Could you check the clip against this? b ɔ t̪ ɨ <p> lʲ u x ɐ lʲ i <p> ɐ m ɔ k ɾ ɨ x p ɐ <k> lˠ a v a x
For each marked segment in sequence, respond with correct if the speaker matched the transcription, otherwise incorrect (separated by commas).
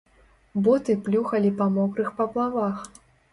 correct, correct, incorrect